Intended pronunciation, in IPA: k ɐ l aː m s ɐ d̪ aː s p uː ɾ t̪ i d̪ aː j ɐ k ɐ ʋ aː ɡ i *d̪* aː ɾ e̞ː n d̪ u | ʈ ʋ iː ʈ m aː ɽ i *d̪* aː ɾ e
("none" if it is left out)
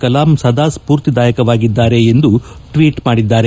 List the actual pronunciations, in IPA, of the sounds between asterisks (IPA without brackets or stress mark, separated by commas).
d̪ː, d̪ː